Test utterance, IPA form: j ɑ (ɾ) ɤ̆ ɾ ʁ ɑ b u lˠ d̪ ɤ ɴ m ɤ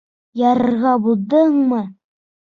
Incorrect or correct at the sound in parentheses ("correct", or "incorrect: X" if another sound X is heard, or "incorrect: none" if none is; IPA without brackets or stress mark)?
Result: correct